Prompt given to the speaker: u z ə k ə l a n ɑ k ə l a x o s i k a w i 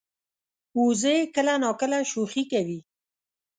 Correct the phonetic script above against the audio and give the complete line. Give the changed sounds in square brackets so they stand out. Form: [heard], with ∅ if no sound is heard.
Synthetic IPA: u z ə k ə l a n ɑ k ə l a [ʃ] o [x] i k a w i